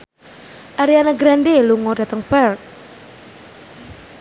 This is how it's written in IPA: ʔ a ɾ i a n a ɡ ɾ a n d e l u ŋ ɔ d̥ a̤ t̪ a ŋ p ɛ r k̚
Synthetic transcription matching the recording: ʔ a ɾ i a n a ɡ ɾ a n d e l u ŋ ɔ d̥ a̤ t̪ ə ŋ p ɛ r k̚